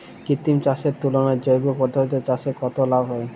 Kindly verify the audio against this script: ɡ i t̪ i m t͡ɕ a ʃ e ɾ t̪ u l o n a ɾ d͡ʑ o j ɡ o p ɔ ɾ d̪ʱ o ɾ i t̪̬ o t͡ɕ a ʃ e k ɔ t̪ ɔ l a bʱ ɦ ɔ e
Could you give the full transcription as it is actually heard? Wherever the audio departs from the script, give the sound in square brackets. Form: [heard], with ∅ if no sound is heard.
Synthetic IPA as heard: [k] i t̪ i m t͡ɕ a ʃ e ɾ t̪ u l o n a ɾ d͡ʑ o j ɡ o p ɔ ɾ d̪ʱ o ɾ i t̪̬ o t͡ɕ a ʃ e k ɔ t̪ [o] l a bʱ ɦ ɔ e